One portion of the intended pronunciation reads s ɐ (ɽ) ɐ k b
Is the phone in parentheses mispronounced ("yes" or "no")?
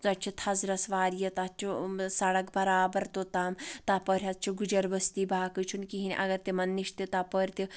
no